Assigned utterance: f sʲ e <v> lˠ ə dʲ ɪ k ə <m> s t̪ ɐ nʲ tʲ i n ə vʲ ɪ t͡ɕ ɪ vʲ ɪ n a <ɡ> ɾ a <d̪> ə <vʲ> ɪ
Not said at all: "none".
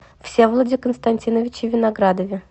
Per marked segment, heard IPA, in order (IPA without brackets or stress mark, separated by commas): v, n, ɡ, d̪, vʲ